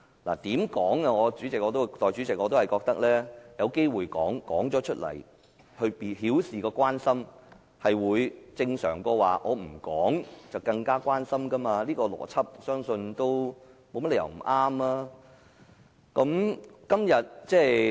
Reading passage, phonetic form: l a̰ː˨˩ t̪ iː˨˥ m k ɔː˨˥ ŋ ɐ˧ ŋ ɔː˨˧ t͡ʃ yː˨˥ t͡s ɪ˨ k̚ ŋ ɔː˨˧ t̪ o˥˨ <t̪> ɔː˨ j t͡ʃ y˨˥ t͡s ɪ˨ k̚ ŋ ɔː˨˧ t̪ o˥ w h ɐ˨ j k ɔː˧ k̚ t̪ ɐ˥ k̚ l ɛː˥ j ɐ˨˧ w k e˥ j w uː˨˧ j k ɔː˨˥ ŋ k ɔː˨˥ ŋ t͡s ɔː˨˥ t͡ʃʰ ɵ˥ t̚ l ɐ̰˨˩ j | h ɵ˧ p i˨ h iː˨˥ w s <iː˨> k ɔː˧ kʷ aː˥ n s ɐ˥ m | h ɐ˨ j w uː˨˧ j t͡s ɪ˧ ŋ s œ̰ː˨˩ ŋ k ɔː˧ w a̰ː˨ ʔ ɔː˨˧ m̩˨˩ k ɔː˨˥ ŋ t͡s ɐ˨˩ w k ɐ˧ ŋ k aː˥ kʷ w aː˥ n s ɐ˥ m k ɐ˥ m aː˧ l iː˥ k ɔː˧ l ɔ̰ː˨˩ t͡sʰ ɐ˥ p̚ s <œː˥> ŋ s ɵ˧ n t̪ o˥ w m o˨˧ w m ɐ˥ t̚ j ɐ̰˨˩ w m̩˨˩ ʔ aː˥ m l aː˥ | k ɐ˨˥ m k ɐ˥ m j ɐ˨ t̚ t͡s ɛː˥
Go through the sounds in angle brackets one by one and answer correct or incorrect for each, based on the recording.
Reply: correct, correct, correct

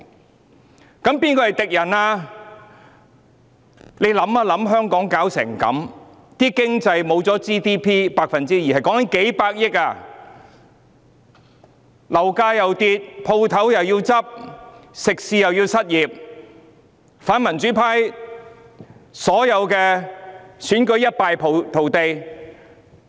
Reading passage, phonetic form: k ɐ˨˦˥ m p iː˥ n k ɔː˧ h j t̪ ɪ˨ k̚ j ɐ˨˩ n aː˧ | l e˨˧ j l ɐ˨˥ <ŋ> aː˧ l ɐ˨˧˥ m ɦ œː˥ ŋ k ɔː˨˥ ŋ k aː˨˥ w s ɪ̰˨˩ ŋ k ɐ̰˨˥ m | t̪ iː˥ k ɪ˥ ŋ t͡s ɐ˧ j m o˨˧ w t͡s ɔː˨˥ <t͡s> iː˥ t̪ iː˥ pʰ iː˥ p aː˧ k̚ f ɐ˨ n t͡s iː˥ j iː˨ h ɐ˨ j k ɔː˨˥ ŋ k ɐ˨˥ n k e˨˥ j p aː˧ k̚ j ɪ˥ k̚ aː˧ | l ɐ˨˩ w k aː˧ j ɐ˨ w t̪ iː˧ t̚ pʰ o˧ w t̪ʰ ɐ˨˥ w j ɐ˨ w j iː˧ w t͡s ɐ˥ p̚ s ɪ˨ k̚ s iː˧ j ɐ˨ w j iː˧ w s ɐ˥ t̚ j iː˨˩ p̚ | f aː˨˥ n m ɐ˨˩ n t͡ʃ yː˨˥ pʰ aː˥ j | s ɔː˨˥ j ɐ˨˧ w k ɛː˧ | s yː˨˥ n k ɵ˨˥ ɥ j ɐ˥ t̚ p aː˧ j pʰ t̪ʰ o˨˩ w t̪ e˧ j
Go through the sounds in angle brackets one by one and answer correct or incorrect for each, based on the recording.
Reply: incorrect, correct

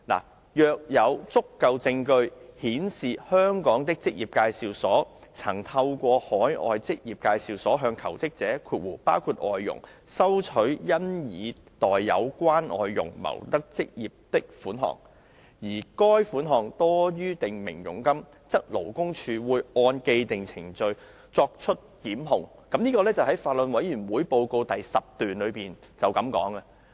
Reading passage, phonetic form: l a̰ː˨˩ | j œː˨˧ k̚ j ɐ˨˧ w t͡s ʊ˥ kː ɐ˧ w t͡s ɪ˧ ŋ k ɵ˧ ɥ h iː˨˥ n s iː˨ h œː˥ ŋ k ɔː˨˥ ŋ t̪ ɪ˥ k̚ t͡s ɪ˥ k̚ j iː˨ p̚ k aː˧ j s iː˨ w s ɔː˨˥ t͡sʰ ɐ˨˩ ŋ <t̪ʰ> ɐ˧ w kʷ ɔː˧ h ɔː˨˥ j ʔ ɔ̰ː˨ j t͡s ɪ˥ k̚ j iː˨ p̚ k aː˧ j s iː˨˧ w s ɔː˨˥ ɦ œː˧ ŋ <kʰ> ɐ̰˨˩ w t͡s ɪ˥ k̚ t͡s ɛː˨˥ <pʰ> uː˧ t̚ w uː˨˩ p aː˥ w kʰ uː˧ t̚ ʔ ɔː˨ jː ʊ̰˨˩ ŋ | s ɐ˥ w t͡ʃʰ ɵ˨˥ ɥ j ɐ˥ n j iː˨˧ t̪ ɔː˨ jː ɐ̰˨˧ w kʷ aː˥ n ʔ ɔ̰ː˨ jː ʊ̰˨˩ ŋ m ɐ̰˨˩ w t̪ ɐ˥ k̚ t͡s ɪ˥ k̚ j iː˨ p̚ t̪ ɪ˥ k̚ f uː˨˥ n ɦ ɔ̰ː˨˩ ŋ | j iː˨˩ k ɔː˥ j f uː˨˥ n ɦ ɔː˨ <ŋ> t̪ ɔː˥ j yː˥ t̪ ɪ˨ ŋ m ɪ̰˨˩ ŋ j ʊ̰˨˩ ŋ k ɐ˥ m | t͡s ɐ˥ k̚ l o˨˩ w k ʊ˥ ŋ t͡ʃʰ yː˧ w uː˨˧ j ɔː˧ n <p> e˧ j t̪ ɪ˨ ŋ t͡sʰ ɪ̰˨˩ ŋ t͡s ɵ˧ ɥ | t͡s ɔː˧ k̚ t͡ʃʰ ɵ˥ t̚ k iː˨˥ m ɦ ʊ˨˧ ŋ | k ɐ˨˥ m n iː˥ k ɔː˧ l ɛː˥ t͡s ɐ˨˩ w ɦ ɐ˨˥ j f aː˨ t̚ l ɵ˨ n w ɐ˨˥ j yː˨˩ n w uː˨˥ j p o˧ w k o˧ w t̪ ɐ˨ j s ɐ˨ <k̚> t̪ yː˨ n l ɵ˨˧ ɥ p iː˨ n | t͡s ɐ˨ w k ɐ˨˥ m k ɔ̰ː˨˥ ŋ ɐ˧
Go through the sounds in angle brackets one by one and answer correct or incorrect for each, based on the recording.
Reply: correct, correct, incorrect, correct, incorrect, incorrect

